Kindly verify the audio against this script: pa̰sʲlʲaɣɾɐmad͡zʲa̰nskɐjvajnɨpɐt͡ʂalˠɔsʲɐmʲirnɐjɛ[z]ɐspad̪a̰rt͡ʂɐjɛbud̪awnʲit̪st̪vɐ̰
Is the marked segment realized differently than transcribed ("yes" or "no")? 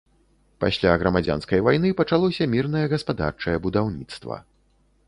yes